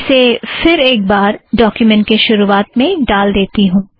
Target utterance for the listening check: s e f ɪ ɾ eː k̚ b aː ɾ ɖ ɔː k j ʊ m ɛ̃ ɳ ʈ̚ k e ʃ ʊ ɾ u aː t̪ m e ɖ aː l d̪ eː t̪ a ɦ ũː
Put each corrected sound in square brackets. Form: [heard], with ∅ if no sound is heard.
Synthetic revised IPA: s e f ɪ ɾ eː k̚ b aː ɾ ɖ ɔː k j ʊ m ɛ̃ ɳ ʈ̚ k e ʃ ʊ ɾ u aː t̪ m [ẽ] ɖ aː l d̪ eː t̪ [i] ɦ ũː